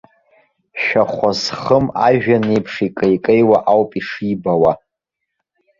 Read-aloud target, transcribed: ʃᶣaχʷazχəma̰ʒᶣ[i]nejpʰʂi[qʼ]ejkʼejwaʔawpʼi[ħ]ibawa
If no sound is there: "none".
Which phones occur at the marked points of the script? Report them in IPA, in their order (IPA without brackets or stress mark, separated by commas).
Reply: a, kʼ, ʂ